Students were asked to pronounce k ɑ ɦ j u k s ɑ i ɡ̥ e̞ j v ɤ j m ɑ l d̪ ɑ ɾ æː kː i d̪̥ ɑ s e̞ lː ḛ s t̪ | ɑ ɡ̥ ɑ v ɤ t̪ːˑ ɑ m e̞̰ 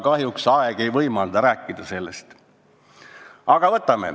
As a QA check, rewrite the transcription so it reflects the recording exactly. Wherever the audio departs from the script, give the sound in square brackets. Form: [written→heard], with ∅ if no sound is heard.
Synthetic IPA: k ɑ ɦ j u k s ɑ [i→e] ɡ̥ e̞ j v ɤ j m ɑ l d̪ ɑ ɾ æː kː i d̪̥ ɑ s e̞ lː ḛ s t̪ | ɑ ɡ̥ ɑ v ɤ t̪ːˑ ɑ m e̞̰